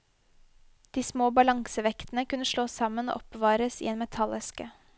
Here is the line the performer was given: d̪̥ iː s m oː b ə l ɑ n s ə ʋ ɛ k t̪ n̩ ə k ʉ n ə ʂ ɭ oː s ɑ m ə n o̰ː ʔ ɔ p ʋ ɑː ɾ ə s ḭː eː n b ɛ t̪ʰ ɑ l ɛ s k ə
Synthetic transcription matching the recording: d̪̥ iː s m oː b ɑ l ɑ ŋ s ə ʋ ɛ k t̪ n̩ ə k ʉ n ə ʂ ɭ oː s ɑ m ə n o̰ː ʔ ɔ p ʋ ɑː ɾ ə s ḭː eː n m ɛ t̪ʰ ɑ l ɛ s k ə